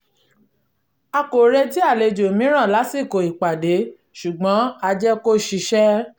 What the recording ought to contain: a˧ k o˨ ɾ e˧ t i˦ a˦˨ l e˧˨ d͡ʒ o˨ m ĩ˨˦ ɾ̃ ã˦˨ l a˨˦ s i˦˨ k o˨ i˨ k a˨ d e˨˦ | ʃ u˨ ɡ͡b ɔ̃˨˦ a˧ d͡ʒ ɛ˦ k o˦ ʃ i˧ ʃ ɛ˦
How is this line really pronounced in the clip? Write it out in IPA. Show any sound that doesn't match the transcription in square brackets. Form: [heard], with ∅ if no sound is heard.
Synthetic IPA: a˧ k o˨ ɾ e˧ t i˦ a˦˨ l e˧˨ d͡ʒ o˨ m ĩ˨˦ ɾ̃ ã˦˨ l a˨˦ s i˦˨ k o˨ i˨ [k͡p] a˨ d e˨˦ | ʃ u˨ ɡ͡b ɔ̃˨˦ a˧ d͡ʒ ɛ˦ k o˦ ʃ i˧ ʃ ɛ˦